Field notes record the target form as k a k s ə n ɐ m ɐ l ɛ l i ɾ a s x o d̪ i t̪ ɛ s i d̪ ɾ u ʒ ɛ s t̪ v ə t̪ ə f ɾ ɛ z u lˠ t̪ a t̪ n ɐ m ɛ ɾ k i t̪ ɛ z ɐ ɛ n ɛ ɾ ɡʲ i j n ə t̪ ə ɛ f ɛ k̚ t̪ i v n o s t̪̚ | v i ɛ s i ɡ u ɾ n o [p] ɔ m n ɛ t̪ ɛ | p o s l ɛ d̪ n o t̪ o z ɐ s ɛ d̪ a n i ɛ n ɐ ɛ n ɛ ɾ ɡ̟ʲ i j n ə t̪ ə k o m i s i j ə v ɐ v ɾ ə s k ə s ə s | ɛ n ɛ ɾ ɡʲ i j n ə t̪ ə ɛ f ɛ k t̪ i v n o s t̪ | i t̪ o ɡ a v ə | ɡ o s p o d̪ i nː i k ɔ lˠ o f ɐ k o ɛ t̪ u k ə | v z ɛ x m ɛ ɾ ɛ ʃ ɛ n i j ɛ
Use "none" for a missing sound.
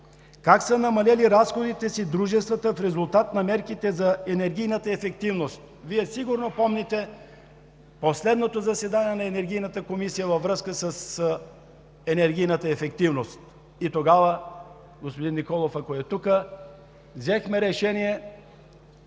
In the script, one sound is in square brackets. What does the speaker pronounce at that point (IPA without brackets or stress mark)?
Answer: p